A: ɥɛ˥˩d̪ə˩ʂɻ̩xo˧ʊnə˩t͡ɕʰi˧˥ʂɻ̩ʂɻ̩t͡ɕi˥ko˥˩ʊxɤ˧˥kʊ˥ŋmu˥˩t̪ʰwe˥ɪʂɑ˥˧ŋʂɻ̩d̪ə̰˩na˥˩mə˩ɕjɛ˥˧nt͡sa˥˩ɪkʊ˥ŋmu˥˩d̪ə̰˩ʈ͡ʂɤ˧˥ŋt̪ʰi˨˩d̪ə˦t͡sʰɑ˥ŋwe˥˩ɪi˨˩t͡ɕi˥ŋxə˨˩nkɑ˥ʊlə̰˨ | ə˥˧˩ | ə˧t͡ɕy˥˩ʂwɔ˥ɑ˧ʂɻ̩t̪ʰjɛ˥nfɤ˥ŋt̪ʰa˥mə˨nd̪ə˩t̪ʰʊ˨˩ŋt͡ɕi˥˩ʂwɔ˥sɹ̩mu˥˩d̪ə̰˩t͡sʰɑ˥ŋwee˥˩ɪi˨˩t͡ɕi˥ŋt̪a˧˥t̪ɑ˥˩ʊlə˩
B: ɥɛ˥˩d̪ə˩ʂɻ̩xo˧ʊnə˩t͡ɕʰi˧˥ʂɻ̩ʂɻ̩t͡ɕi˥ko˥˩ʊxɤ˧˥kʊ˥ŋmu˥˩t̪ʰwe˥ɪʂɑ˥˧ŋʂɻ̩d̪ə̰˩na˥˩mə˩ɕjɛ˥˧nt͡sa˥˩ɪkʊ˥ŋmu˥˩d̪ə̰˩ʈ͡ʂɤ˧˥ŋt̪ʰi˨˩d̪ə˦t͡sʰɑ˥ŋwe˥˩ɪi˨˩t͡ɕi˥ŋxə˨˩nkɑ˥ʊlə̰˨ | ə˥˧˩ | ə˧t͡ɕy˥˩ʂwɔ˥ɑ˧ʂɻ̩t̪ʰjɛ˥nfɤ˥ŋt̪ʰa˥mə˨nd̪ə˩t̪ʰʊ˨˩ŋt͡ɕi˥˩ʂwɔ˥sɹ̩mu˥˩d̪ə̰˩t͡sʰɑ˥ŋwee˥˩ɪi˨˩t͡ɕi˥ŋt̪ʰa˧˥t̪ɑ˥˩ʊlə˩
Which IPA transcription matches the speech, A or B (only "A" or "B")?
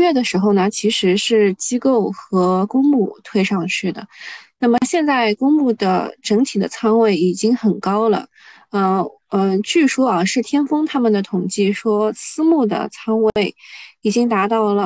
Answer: A